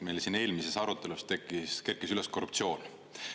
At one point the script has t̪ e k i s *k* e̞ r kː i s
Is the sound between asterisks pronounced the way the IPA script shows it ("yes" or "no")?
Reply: yes